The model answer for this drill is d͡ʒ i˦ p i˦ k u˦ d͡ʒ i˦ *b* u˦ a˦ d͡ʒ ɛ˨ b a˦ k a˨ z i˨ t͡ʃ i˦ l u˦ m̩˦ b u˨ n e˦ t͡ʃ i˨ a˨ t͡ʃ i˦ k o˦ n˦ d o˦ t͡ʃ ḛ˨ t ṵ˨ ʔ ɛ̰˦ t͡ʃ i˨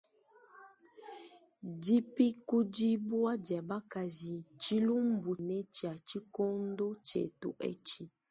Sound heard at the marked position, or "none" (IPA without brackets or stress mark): b